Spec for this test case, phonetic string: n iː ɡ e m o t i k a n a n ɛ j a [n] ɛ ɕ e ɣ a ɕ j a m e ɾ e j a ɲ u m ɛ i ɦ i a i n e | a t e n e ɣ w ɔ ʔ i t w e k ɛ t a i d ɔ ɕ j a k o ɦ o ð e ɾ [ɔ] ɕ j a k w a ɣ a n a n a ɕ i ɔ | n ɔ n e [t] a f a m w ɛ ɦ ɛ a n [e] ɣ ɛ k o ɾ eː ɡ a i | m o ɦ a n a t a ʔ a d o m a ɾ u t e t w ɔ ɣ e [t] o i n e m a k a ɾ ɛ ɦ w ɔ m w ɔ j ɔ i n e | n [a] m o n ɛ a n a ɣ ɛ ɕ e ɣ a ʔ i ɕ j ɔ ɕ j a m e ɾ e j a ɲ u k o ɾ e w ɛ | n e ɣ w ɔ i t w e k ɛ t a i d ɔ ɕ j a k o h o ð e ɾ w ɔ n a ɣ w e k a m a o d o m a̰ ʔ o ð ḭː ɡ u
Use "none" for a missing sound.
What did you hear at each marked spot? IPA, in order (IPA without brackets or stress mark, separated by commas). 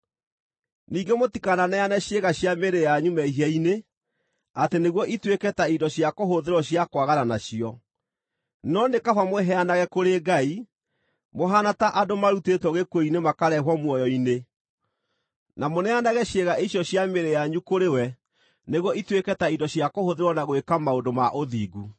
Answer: n, ɔ, k, a, k, a